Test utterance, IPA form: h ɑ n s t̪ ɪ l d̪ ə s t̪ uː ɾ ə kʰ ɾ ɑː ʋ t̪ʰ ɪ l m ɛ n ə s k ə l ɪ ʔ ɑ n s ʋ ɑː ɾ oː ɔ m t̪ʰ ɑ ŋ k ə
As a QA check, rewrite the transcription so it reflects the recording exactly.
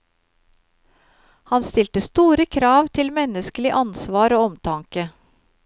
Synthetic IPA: h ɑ n s t̪ ɪ l t̪ ə s t̪ uː ɾ ə kʰ ɾ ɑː ʋ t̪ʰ ɪ l m ɛ n ə s k ə l ɪ ʔ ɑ n s ʋ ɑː ɾ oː ɔ m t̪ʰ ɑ ŋ k ə